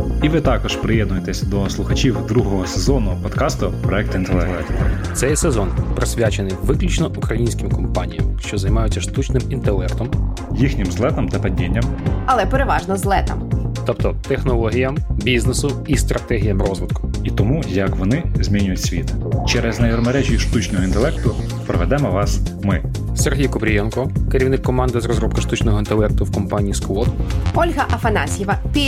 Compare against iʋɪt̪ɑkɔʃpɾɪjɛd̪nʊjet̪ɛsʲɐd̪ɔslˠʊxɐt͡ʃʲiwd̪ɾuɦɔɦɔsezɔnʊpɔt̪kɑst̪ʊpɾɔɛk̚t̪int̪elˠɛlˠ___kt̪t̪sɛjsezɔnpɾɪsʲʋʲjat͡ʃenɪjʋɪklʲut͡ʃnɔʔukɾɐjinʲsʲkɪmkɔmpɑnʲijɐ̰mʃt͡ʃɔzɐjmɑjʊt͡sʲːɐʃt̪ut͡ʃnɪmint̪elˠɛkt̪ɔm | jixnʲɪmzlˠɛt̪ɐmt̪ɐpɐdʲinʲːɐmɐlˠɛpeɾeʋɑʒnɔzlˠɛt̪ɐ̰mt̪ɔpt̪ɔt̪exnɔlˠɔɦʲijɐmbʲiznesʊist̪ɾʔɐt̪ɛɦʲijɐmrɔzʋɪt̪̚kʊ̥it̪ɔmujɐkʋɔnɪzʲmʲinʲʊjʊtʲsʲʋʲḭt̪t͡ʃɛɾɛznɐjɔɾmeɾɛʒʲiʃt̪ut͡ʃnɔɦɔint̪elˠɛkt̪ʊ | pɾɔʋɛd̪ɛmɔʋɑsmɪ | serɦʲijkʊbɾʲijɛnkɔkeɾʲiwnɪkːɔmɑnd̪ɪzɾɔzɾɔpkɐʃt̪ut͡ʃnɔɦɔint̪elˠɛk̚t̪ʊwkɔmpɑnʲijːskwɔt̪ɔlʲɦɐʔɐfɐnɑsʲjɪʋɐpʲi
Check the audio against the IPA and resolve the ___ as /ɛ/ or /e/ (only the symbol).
ɛ